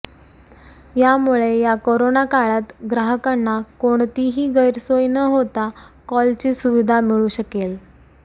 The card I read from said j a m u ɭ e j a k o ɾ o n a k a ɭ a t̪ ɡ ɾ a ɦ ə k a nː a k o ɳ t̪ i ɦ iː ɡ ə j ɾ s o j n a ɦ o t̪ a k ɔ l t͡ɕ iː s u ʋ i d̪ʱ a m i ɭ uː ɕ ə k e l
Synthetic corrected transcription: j a m u ɭ e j a k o ɾ o n a k a ɭ a t̪ ɡ ɾ a ɦ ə k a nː a k o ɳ t̪ i ɦ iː ɡ ə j ɾ s o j n ə ɦ o t̪ a k ɔ l t͡ɕ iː s u ʋ i d̪ʱ a m i ɭ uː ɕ ə k e l

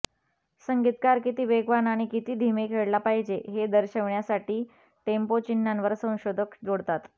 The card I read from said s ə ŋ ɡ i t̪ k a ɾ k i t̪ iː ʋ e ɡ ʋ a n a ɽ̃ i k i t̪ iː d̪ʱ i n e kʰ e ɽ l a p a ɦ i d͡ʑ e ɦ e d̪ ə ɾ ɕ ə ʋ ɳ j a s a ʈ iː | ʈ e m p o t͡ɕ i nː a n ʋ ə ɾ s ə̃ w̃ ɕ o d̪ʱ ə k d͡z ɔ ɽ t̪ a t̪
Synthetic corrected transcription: s ə ŋ ɡ i t̪ k a ɾ k i t̪ iː ʋ e ɡ ʋ a n a ɽ̃ i k i t̪ iː d̪ʱ i m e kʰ e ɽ l a p a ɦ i d͡ʑ e ɦ e d̪ ə ɾ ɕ ə ʋ ɳ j a s a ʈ iː | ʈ e m p o t͡ɕ i nː a n ʋ ə ɾ s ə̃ w̃ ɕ o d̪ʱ ə k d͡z o ɽ t̪ a t̪

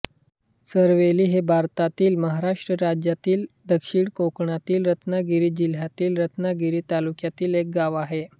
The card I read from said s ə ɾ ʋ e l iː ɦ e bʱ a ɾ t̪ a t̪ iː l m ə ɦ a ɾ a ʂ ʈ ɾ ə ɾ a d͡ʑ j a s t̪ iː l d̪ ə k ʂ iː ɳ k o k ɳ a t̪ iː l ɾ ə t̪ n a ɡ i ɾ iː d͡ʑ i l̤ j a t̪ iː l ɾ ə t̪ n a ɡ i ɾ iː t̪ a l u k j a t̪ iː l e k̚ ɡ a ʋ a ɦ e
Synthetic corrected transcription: s ə ɾ ʋ e l iː ɦ e bʱ a ɾ t̪ a t̪ iː l m ə ɦ a ɾ a ʂ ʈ ɾ ə ɾ a d͡ʑ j a t̪ iː l d̪ ə k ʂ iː ɳ k o k ɳ a t̪ iː l ɾ ə t̪ n a ɡ i ɾ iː d͡ʑ i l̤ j a t̪ iː l ɾ ə t̪ n a ɡ i ɾ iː t̪ a l u k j a t̪ iː l e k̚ ɡ a ʋ a ɦ e

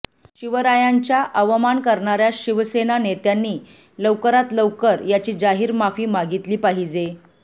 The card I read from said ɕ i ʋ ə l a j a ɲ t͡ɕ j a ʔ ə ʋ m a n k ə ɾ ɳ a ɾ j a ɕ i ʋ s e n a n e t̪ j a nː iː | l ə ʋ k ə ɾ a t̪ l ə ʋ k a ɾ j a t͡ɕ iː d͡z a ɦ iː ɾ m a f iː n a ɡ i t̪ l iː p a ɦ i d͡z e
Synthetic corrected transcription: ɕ i ʋ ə ɾ a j a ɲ t͡ɕ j a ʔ ə ʋ m a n k ə ɾ ɳ a ɾ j a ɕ i ʋ s e n a n e t̪ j a nː iː | l ə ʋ k ə ɾ a t̪ l ə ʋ k ə ɾ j a t͡ɕ iː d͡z a ɦ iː ɾ m a f iː m a ɡ i t̪ l iː p a ɦ i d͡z e

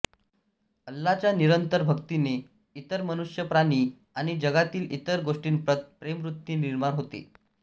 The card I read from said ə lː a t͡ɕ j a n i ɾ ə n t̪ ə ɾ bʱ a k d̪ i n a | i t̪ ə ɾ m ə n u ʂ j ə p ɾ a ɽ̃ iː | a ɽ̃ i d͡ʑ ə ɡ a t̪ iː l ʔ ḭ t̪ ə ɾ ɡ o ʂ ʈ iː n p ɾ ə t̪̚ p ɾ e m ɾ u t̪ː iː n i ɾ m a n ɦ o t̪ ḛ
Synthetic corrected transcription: ə lː a t͡ɕ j a n i ɾ ə n t̪ ə ɾ bʱ ə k t̪ i n e | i t̪ ə ɾ m ə n u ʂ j ə p ɾ a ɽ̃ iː | a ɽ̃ i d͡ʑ ə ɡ a t̪ iː l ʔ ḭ t̪ ə ɾ ɡ o ʂ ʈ iː n p ɾ ə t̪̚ p ɾ e m ɾ u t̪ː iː n i ɾ m a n ɦ o t̪ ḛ

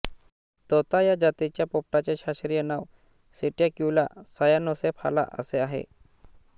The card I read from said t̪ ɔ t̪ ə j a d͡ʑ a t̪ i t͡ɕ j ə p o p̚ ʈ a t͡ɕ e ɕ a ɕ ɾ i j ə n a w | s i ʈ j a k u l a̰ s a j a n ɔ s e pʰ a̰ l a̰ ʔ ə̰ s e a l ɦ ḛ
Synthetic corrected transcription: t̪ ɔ t̪ a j a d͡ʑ a t̪ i t͡ɕ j a p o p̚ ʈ a t͡ɕ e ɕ a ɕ ɾ i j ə n a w | s i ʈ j a k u l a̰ s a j a n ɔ s e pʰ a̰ l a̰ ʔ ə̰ s e a ɦ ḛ

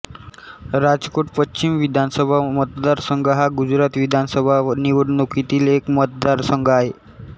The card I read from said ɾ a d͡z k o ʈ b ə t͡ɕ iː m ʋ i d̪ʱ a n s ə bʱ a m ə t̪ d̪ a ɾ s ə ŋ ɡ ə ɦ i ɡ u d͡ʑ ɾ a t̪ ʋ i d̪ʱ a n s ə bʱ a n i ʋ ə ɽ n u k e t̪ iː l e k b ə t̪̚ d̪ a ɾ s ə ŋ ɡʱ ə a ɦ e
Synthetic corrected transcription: ɾ a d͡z k o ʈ p ə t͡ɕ i m ʋ i d̪ʱ a n s ə bʱ a m ə t̪ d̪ a ɾ s ə ŋ ɡ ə ɦ a ɡ u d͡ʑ ɾ a t̪ ʋ i d̪ʱ a n s ə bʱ a n i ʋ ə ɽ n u k i t̪ iː l e k m ə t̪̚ d̪ a ɾ s ə ŋ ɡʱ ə a ɦ e

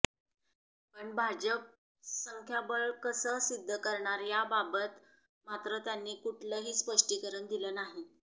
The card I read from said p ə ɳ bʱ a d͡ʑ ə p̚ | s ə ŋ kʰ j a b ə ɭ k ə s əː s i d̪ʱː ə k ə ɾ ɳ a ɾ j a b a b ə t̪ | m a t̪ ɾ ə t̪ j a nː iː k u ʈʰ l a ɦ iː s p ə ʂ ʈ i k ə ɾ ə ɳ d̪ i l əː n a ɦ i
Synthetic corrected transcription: p ə ɳ bʱ a d͡ʑ ə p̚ | s ə ŋ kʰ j a b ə ɭ k ə s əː s i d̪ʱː ə k ə ɾ ɳ a ɾ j a b a b ə t̪ | m a t̪ ɾ ə t̪ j a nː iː k u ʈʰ l ə ɦ iː s p ə ʂ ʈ i k ə ɾ ə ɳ d̪ i l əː n a ɦ i

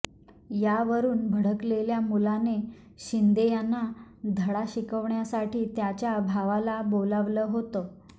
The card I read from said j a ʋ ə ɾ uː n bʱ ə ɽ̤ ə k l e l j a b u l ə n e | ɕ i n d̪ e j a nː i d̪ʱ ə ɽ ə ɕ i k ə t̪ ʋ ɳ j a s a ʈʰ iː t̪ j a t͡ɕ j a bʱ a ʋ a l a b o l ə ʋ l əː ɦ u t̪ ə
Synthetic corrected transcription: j a ʋ ə ɾ uː n bʱ ə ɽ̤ ə k l e l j a m u l a n e | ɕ i n d̪ e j a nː a d̪ʱ ə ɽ a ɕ i k ə ʋ ɳ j a s a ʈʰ iː t̪ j a t͡ɕ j a bʱ a ʋ a l a b o l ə ʋ l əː ɦ o t̪ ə

